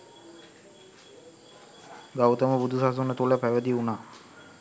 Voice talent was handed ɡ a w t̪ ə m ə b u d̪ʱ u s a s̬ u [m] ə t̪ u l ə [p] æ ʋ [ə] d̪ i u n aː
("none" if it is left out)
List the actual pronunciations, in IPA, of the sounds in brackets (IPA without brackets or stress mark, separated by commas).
n, p, ə